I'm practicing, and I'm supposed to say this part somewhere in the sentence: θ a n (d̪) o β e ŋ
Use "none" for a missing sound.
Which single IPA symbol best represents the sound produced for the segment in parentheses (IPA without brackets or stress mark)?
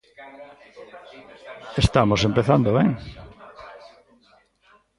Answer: d̪